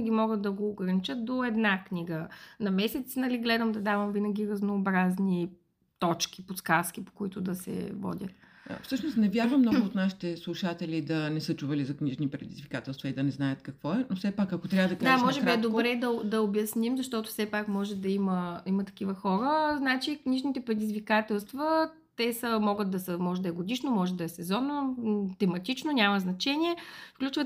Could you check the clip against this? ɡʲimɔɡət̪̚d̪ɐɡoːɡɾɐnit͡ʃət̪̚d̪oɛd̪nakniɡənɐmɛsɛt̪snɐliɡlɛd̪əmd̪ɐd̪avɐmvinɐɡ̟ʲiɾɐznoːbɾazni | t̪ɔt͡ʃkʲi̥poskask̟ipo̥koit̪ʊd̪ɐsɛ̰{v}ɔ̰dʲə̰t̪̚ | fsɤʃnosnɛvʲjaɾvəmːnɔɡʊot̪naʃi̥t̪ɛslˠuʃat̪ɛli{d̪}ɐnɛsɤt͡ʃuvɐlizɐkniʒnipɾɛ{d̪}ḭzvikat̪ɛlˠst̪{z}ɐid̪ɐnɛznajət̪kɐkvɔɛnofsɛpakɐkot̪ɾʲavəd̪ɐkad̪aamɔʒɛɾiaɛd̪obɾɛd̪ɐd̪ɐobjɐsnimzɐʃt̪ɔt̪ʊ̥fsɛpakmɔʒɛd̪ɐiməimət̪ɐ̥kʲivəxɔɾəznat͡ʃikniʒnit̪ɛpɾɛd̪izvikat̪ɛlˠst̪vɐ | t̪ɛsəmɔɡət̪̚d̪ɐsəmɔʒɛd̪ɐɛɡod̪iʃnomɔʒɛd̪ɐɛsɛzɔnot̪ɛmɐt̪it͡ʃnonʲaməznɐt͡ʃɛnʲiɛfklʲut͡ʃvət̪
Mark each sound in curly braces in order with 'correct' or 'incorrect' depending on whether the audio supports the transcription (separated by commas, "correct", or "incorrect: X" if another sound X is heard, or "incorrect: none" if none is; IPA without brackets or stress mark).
correct, correct, correct, incorrect: v